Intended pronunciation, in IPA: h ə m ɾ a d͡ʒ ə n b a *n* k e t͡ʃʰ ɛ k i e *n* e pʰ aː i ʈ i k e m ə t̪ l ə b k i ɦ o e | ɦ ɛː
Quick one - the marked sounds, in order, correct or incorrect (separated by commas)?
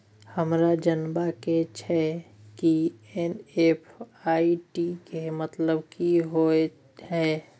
incorrect, correct